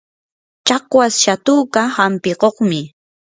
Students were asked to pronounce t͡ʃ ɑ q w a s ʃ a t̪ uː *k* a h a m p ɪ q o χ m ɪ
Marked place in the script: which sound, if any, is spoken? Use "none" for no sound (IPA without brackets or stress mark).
k